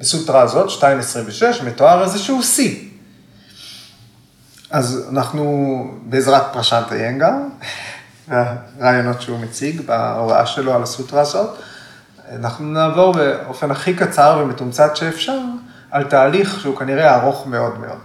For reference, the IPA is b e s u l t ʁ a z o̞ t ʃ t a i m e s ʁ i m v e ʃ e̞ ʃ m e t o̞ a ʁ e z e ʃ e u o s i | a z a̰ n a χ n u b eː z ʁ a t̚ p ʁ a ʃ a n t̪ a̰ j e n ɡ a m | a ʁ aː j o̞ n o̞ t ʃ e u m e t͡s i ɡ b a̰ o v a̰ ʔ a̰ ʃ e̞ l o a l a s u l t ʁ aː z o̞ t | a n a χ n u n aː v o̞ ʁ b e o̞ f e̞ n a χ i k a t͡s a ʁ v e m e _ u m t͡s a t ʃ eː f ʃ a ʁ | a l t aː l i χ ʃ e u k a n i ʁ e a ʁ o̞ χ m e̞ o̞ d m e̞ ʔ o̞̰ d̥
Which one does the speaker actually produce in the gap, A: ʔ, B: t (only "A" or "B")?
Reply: B